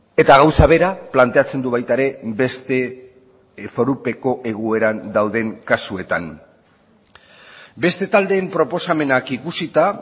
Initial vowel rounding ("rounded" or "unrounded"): unrounded